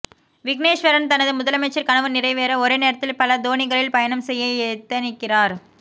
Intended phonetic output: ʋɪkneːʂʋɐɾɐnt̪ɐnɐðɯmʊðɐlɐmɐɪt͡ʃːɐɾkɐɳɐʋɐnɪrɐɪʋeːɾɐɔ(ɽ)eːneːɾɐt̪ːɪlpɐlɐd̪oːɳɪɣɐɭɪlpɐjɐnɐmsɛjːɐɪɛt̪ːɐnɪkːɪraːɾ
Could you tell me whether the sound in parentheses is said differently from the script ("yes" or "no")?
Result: yes